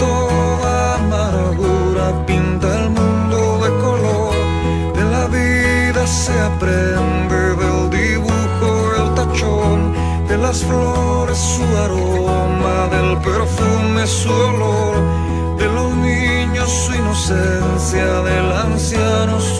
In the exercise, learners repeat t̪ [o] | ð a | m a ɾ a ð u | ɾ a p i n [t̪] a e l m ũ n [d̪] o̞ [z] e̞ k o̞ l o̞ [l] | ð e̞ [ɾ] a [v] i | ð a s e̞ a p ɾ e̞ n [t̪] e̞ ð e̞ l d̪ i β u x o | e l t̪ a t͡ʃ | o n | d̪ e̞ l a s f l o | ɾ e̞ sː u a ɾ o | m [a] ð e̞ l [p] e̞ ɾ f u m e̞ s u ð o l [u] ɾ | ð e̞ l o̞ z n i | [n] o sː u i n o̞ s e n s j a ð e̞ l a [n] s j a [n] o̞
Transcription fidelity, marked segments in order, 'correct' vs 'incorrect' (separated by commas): correct, correct, correct, incorrect, incorrect, incorrect, incorrect, incorrect, correct, correct, incorrect, incorrect, correct, correct